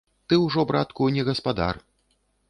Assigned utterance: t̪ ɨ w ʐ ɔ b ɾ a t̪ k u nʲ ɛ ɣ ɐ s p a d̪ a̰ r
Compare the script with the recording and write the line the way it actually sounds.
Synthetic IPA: t̪ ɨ w ʐ ɔ b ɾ a t̪ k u nʲ ɛ ɣ ɐ s p a d̪ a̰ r